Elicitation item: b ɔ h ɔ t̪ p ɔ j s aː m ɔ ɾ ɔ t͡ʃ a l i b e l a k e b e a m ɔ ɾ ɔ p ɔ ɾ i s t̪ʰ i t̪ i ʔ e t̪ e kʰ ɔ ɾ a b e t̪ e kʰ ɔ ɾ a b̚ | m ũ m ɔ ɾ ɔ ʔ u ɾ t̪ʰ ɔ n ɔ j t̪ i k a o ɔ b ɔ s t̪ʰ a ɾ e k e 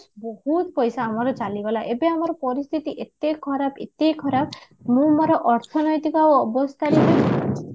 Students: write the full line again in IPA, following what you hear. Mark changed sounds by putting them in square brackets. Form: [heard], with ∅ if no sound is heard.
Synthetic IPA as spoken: b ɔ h [u] t̪ p ɔ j s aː m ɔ ɾ ɔ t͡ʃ a l i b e l a [ʔ] e b e a m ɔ ɾ ɔ p ɔ ɾ i s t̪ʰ i t̪ i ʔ e t̪ e kʰ ɔ ɾ a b e t̪ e kʰ ɔ ɾ a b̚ | m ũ m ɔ ɾ ɔ ʔ [ɔ] ɾ t̪ʰ ɔ n ɔ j t̪ i k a o ɔ b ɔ s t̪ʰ a ɾ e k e